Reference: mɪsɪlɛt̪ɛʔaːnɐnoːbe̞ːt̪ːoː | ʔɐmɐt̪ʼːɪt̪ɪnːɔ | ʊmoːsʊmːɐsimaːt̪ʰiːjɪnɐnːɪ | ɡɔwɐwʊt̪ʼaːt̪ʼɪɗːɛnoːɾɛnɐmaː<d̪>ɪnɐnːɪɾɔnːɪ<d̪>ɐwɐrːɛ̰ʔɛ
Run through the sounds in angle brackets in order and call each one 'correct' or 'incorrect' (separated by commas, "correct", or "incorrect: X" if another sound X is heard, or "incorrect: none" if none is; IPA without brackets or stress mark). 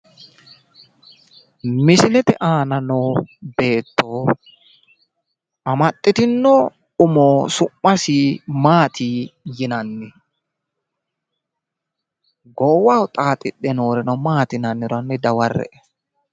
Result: incorrect: t̪, correct